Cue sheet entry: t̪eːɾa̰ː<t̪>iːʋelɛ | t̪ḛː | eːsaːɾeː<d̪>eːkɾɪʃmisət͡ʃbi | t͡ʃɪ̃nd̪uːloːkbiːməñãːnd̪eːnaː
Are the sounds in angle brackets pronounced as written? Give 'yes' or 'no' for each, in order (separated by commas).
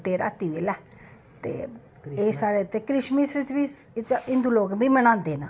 yes, no